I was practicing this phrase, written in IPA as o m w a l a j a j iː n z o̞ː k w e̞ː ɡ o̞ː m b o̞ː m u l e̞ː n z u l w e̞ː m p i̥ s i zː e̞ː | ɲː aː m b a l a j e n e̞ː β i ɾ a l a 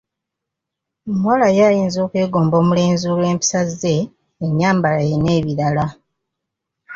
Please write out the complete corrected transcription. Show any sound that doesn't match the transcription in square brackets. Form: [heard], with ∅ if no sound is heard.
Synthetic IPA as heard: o m w a l a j a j iː n z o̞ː k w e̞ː ɡ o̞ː m b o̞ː m u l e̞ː n z u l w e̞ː m p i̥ s [a] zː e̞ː | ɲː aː m b a l a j e n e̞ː β i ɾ a l a